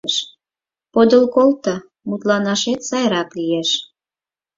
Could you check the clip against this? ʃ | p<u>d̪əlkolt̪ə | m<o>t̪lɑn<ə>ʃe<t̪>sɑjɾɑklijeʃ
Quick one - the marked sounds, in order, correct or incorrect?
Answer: incorrect, incorrect, incorrect, correct

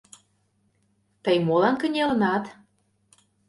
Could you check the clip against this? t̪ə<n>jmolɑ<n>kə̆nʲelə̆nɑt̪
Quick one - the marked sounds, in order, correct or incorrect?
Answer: incorrect, correct

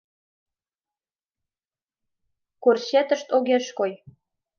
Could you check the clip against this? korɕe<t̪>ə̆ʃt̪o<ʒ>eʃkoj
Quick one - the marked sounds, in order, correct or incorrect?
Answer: correct, incorrect

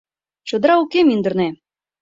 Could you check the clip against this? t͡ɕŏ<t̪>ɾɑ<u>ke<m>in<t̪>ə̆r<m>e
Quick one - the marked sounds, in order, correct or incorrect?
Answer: incorrect, correct, correct, incorrect, incorrect

